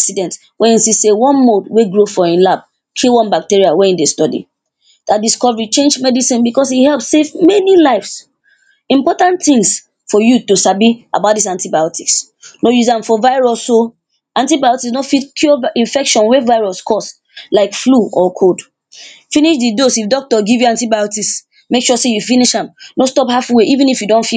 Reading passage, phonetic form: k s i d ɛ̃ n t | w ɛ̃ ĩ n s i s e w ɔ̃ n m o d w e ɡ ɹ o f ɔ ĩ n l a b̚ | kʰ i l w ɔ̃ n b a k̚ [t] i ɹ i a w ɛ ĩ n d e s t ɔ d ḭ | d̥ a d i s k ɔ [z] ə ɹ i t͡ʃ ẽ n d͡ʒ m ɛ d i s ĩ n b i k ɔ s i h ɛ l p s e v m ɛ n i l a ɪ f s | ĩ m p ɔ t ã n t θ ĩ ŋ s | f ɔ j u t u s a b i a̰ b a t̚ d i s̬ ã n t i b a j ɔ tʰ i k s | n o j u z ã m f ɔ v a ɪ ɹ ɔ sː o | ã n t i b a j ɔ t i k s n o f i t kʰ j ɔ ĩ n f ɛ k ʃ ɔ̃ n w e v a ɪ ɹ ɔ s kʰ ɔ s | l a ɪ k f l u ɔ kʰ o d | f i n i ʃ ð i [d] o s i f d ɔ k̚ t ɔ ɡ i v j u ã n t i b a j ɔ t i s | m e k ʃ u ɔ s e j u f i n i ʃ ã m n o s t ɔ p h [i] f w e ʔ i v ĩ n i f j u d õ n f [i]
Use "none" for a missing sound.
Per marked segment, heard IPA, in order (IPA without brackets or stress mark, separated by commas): t, v, d, a, i